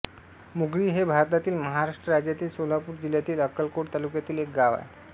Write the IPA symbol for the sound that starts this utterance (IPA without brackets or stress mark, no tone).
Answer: m